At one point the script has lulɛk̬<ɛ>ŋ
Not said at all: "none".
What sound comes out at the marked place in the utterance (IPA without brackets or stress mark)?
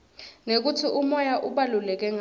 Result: ɛ